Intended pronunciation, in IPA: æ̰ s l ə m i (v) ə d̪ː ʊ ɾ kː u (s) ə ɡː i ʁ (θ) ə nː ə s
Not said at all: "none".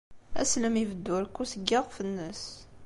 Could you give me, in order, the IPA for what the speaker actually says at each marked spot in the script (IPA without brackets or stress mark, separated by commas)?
v, s, f